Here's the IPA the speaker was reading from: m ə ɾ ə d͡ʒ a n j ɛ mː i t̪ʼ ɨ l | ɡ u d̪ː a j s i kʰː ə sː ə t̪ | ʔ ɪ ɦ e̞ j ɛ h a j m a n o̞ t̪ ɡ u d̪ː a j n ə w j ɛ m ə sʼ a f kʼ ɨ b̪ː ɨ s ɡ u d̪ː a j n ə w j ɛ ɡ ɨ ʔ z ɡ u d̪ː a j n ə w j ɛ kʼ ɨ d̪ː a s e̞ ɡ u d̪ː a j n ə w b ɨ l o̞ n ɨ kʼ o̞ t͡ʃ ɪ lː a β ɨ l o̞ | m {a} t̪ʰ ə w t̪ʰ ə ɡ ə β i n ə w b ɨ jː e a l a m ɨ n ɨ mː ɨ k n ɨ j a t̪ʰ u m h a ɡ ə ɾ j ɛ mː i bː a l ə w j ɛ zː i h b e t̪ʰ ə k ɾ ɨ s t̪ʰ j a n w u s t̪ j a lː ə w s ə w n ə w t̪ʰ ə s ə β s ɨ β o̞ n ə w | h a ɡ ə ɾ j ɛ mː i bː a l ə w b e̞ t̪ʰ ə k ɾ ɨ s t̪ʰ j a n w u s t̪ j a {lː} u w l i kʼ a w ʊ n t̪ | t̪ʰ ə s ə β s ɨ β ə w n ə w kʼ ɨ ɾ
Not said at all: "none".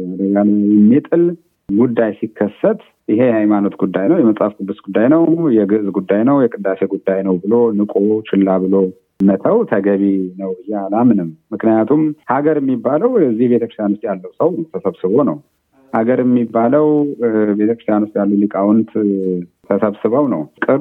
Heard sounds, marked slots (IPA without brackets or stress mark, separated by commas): ə, lː